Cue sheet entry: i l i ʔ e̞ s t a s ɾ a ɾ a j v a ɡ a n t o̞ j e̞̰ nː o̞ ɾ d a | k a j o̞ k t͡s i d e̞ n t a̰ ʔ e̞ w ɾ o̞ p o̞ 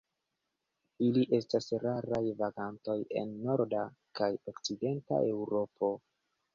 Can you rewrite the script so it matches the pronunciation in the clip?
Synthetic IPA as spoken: i l i ʔ e̞ s t a s ɾ a ɾ a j v a ɡ a n t o̞ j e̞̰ nː o̞ ɾ d a | k a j o̞ k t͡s i d e̞ n t a̰ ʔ e̞ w ɾ o̞ p o̞